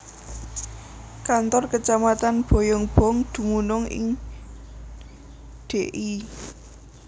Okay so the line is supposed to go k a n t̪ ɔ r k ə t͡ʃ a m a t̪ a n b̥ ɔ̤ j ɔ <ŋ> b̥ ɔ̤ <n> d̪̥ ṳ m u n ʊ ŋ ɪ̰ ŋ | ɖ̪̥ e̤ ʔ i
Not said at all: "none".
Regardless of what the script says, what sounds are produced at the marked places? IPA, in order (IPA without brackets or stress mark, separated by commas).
ŋ, ŋ